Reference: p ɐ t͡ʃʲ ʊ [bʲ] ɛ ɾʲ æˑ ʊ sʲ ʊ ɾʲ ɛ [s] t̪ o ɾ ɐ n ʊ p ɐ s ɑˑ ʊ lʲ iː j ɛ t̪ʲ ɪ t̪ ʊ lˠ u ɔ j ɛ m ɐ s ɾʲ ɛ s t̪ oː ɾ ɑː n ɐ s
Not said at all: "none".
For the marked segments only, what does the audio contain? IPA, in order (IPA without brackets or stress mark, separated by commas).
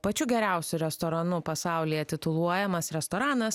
ɡʲ, s